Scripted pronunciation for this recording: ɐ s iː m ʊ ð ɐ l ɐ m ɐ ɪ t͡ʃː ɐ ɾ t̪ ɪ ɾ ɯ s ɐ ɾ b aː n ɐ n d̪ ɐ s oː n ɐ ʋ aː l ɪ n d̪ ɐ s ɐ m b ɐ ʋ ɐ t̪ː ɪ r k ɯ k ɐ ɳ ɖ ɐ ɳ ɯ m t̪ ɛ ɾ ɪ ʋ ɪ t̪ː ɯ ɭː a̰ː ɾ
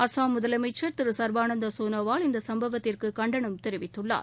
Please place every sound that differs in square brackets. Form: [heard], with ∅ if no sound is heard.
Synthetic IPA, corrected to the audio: ɐ s [aː] m ʊ ð ɐ l ɐ m ɐ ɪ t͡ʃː ɐ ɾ t̪ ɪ ɾ ɯ s ɐ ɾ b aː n ɐ n d̪ ɐ s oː n ɐ ʋ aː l ɪ n d̪ ɐ s ɐ m b ɐ ʋ ɐ t̪ː ɪ r k ɯ k ɐ ɳ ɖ ɐ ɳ ɯ m t̪ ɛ ɾ ɪ ʋ ɪ t̪ː ɯ ɭː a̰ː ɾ